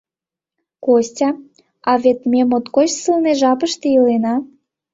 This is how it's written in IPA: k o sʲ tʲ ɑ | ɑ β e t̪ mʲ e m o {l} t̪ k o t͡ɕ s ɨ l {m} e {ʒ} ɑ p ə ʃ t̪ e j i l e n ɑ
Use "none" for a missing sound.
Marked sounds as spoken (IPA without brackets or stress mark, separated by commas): none, n, ʒ